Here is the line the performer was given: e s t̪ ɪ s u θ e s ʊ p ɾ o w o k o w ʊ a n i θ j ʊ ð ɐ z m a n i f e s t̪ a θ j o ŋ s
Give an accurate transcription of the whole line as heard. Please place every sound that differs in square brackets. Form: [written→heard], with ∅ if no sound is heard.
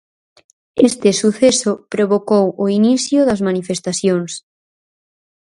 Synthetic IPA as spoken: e s t̪ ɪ s u θ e s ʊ p ɾ o [w→β] o k o w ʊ [a→i] n i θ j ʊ ð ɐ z m a n i f e s t̪ a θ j o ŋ s